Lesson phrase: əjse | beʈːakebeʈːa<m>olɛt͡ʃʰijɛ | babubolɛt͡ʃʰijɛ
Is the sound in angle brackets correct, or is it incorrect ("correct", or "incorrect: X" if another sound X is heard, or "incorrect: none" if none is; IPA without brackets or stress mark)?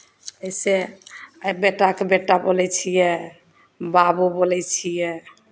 incorrect: b